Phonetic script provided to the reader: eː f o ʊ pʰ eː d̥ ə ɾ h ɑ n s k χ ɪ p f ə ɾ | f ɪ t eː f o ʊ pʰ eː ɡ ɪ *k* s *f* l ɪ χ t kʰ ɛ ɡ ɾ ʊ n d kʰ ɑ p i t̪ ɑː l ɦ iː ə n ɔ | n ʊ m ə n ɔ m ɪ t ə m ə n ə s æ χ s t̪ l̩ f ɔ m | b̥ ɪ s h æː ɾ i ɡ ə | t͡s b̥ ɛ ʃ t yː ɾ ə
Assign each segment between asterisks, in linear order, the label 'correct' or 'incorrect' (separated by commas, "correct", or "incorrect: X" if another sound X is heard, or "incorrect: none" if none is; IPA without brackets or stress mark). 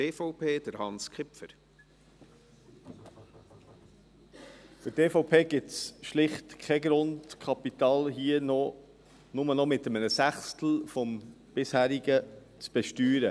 incorrect: t, incorrect: ʃ